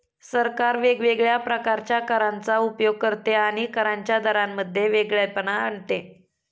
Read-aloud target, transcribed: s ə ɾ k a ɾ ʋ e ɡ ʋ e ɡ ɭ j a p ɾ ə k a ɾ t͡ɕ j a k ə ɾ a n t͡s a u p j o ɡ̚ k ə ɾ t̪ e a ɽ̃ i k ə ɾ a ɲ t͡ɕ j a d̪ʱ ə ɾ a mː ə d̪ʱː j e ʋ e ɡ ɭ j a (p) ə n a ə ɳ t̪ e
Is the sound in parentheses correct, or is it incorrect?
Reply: correct